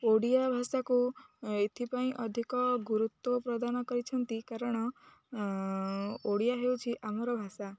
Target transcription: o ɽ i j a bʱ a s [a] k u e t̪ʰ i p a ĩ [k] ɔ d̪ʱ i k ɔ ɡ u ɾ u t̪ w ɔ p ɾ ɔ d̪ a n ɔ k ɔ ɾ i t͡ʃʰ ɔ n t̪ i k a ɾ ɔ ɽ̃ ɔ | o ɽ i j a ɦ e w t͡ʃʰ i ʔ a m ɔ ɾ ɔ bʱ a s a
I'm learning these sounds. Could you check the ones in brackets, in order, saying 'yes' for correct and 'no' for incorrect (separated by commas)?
yes, no